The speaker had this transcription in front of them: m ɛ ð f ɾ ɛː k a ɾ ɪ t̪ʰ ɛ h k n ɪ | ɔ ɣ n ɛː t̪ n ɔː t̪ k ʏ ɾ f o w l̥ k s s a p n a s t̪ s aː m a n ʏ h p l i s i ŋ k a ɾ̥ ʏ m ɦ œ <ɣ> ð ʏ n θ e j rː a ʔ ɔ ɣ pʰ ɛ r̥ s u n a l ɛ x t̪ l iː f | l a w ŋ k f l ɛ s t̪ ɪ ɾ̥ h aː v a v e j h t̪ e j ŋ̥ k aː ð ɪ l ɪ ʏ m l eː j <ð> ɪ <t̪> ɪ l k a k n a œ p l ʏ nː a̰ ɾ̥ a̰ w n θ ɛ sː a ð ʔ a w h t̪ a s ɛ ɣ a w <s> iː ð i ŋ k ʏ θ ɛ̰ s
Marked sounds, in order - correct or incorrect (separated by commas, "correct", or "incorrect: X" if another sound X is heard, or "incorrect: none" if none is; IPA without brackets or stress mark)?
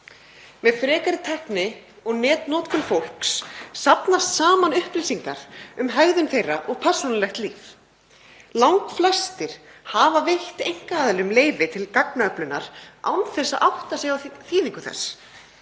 correct, incorrect: v, incorrect: t̪ʰ, incorrect: θ